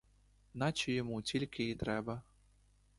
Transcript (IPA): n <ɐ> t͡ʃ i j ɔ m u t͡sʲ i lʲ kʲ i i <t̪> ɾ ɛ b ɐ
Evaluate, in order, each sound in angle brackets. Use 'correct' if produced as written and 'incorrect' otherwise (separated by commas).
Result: incorrect, correct